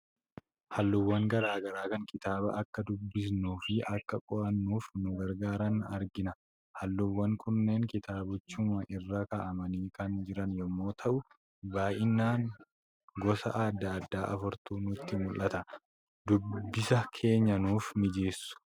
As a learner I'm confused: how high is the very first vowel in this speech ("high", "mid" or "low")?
low